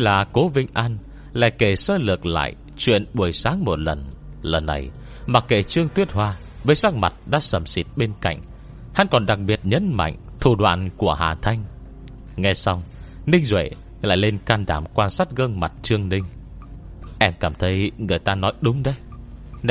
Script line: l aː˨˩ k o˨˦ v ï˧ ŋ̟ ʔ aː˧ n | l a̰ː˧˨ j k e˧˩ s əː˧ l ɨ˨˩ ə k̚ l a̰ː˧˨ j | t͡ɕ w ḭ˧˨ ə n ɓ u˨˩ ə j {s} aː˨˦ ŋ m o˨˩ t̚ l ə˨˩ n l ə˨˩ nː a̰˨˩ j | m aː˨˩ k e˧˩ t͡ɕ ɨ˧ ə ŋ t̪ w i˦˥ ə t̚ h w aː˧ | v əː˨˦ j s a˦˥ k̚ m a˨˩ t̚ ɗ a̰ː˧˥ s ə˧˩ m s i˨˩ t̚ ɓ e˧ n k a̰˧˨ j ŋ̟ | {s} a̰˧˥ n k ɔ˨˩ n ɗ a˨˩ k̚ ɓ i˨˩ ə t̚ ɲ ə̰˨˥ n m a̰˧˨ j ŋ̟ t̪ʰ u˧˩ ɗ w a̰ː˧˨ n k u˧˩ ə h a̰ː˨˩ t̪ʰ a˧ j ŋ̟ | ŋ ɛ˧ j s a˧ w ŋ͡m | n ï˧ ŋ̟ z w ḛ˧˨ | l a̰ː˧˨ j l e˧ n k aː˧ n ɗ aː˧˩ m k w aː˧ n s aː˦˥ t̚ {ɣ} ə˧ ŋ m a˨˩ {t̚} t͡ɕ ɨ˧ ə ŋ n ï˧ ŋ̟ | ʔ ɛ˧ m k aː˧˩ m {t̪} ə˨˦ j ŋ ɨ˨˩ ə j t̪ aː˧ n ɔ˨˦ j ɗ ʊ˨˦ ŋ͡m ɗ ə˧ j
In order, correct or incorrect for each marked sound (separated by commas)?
correct, incorrect, correct, correct, incorrect